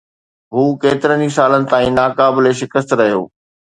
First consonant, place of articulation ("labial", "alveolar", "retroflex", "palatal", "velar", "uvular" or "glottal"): glottal